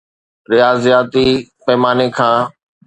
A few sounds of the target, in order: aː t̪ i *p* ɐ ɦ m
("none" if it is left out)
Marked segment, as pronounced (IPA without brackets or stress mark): p